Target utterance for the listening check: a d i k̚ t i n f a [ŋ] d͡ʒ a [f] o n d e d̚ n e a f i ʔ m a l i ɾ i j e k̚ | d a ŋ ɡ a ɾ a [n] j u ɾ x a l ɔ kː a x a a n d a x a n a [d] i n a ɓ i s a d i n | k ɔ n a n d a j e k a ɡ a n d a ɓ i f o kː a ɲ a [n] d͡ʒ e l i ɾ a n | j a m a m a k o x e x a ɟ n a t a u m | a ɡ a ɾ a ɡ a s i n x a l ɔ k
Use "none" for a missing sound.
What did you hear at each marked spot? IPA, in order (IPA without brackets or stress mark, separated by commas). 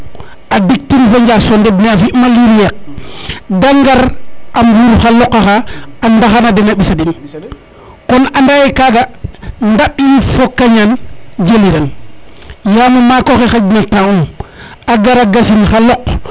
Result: ɲ, s, m, d, n